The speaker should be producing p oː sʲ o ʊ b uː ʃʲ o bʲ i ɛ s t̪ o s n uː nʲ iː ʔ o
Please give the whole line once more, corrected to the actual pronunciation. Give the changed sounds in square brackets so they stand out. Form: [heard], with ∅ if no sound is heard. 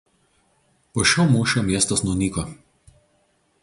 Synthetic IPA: p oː [ʃʲ] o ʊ [m] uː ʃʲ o [mʲ] i ɛ s t̪ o s n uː nʲ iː [k] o